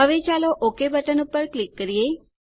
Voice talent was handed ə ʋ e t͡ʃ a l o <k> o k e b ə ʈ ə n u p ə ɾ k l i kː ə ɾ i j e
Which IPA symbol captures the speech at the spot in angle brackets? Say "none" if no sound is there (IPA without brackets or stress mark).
ʔ